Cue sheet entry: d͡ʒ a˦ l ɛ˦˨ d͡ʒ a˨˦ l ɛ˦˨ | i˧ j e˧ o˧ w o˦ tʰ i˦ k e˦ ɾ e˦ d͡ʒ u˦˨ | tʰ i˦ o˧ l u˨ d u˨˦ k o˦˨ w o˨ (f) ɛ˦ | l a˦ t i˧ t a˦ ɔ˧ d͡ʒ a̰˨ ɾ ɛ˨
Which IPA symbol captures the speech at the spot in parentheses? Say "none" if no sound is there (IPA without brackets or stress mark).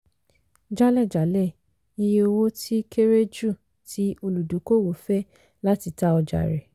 f